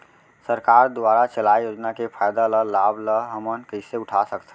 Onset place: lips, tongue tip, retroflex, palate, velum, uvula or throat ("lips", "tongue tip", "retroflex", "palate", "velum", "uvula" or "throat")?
tongue tip